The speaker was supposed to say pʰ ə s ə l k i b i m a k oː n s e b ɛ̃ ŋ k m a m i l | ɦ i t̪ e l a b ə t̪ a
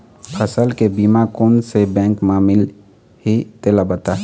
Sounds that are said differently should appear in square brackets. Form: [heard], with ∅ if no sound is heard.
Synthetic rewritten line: pʰ ə s ə l k [e] b i m a k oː n s e b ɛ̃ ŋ k m a m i l | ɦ i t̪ e l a b ə t̪ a